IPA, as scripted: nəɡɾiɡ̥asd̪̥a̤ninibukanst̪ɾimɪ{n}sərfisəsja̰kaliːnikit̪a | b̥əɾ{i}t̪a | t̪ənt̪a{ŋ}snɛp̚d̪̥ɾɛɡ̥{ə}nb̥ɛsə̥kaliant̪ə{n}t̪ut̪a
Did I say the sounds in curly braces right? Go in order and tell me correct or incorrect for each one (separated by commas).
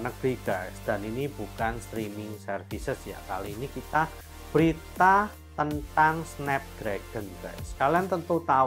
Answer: incorrect, correct, correct, correct, correct